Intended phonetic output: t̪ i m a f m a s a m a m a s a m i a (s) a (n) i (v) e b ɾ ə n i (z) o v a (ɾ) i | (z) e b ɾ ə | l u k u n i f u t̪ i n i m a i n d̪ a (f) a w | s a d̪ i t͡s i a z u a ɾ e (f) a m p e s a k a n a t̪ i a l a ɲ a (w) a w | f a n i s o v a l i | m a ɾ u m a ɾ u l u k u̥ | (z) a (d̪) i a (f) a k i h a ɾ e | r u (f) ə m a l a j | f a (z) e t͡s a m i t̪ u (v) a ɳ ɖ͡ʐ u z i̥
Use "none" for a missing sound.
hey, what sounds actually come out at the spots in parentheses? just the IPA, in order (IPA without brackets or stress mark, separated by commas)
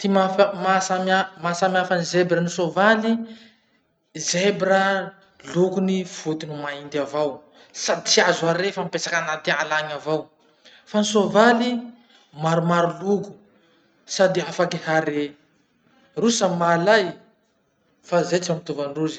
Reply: f, n, z, s, l, z, v, f, v, s, d̪, f, s, z, v